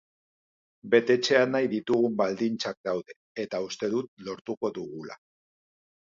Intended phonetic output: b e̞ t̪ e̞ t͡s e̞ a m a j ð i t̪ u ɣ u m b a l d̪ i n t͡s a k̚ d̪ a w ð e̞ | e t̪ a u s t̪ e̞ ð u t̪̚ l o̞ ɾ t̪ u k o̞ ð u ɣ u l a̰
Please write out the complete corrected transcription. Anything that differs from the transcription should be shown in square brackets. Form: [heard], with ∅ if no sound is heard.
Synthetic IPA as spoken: b e̞ t̪ e̞ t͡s e̞ a [n] a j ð i t̪ u ɣ u m b a l d̪ i n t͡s a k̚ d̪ a w ð e̞ | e t̪ a u s t̪ e̞ ð u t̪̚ l o̞ ɾ t̪ u k o̞ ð u ɣ u l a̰